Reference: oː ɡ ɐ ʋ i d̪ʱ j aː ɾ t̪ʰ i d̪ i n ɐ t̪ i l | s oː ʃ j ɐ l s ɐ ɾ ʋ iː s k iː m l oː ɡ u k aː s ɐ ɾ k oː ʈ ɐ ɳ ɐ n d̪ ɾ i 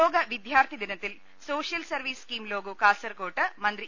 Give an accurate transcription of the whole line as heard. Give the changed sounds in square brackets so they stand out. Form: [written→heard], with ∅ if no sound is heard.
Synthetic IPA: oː ɡ ɐ ʋ i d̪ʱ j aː ɾ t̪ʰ i d̪ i n ɐ t̪ i l | s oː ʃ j ɐ l s ɐ ɾ ʋ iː s k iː m l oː ɡ u k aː s ɐ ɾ k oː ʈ ɐ [ɳ→m] ɐ n d̪ ɾ i